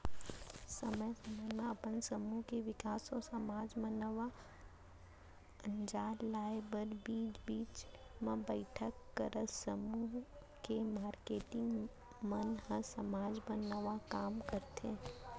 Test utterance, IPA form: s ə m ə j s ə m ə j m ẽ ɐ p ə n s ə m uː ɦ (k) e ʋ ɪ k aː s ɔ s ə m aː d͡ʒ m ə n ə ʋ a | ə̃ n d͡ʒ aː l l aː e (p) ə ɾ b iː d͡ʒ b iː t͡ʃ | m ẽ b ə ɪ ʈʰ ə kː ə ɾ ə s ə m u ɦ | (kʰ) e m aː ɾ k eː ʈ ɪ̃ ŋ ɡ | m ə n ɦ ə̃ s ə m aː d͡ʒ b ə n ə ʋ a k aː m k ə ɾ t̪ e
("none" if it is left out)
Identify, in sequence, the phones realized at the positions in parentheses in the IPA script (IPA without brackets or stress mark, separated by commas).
k, b, k